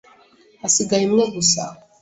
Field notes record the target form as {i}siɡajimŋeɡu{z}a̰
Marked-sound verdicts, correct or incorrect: incorrect, incorrect

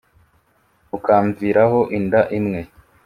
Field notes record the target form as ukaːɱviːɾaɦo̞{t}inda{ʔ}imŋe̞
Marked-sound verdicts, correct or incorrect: incorrect, correct

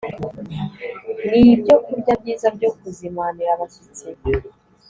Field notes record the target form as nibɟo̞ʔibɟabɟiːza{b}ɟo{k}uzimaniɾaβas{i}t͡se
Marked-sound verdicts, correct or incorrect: correct, correct, correct

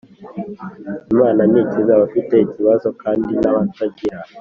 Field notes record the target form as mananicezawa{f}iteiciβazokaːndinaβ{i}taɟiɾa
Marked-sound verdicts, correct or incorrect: correct, incorrect

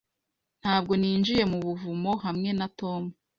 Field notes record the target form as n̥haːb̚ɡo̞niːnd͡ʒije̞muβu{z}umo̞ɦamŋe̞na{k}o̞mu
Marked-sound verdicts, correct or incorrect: incorrect, incorrect

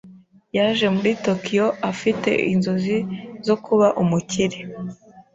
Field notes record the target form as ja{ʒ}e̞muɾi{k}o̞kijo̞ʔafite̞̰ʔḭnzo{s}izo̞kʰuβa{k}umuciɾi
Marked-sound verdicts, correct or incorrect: correct, incorrect, incorrect, incorrect

